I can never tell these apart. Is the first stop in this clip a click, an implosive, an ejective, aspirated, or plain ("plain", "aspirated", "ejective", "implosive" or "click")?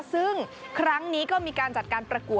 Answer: aspirated